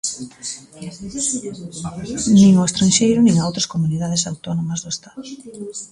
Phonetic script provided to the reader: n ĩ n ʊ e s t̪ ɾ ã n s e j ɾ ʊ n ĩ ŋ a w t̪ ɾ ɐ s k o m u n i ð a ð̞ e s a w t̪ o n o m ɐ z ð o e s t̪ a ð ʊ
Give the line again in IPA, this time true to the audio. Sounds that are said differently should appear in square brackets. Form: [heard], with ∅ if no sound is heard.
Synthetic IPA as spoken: n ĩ [ŋ] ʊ e s t̪ ɾ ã n [ʃ] e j ɾ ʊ n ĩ ŋ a w t̪ ɾ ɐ s k o m u n i ð a ð̞ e s a w t̪ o n o m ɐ z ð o e s t̪ a ð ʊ